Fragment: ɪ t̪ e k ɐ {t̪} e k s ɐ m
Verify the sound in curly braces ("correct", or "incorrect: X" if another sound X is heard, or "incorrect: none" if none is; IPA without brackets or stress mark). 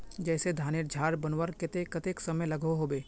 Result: correct